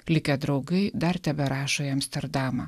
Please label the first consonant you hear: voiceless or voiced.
voiced